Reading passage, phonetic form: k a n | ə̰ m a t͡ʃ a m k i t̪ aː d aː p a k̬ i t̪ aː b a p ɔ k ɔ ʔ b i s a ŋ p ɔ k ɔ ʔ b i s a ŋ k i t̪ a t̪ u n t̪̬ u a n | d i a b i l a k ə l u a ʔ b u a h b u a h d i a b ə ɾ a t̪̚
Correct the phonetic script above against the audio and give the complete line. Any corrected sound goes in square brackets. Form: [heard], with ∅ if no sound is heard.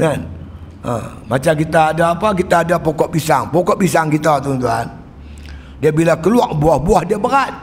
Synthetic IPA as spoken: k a n | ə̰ m a t͡ʃ a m k i t̪ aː d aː p a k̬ i t̪ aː [d] a p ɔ k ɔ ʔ b i s a ŋ p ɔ k ɔ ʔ b i s a ŋ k i t̪ a t̪ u n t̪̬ u a n | d i a b i l a k ə l u a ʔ b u a h b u a h d i a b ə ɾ a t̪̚